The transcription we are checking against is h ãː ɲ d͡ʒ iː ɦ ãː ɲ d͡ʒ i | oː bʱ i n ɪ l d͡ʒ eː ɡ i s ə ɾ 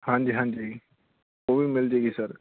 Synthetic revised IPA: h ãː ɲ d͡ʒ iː ɦ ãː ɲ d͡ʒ i | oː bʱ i m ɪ l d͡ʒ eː ɡ i s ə ɾ